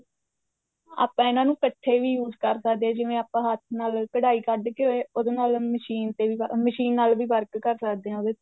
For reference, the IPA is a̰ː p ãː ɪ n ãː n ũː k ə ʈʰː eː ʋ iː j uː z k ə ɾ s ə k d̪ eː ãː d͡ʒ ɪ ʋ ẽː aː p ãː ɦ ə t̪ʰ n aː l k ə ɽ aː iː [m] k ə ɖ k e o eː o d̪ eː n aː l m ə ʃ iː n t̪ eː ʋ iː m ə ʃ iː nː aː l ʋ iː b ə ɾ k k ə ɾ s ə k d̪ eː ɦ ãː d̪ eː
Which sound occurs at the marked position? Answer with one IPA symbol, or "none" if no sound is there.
none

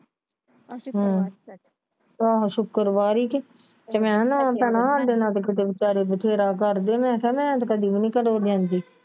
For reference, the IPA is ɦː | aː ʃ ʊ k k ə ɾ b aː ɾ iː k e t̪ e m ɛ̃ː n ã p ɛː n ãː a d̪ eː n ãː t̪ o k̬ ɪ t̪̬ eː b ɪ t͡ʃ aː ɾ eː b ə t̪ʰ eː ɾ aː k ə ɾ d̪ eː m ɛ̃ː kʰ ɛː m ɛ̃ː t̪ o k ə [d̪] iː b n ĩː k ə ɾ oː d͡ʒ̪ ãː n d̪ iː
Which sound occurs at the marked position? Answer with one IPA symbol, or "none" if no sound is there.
d̪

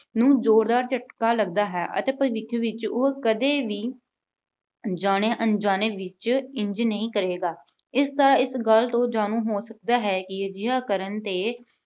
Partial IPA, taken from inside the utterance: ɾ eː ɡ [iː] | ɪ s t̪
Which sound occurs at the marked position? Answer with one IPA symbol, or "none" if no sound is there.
aː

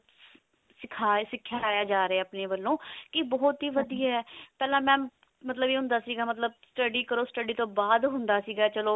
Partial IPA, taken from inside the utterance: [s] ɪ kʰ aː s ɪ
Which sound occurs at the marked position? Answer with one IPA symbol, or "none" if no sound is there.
s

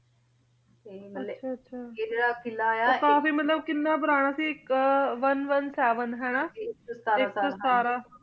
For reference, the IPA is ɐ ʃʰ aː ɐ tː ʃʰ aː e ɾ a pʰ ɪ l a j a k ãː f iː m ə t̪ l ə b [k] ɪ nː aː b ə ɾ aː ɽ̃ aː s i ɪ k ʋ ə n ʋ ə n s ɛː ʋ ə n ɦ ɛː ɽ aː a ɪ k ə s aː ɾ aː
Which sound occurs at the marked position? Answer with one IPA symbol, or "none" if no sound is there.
k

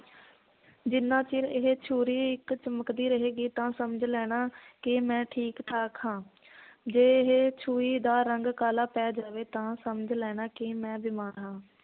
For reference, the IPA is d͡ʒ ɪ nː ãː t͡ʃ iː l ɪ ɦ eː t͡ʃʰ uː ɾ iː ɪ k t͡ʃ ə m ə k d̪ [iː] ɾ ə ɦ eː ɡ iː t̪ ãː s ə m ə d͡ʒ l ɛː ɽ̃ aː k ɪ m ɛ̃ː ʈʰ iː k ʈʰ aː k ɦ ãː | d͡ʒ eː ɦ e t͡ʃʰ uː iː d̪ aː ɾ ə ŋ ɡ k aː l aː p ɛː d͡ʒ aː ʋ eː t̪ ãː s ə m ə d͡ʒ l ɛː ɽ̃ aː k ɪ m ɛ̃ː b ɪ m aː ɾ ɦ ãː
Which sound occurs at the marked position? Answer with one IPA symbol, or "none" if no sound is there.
iː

